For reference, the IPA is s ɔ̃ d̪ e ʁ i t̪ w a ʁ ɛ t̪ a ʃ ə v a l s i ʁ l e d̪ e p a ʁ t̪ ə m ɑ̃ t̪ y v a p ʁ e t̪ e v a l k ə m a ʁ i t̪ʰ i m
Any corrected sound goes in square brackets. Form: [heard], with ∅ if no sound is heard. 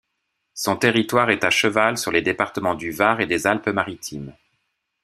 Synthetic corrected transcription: s ɔ̃ [t̪] e ʁ i t̪ w a ʁ ɛ t̪ a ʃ ə v a l s [y] ʁ l e d̪ e p a ʁ t̪ ə m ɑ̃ [d̪] y v a [∅] ʁ e [d̪] e [z] a l [p] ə m a ʁ i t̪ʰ i m